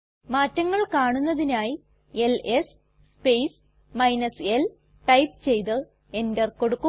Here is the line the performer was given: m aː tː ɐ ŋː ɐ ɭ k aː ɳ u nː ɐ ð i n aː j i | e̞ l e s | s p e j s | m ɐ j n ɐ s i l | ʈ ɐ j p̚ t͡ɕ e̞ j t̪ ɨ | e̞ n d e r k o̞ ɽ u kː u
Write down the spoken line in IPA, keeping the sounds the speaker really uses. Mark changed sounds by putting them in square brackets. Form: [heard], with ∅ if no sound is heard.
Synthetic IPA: m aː tː ɐ ŋː ɐ ɭ k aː ɳ u nː ɐ ð i n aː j i | e̞ l e s | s p e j s | m ɐ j n ɐ s [e] l | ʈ ɐ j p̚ t͡ɕ e̞ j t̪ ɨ | e̞ n d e r k o̞ ɽ u kː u